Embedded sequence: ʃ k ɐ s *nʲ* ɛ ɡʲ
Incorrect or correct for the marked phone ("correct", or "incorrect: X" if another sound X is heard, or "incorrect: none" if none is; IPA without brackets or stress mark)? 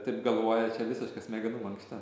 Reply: incorrect: mʲ